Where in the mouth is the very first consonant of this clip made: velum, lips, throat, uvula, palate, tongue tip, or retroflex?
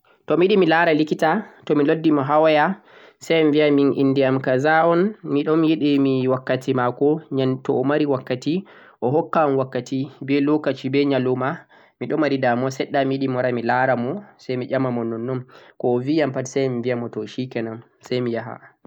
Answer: tongue tip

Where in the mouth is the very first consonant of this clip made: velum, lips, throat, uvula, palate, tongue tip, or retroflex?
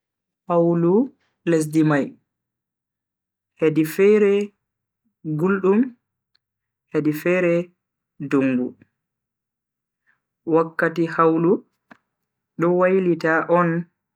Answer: throat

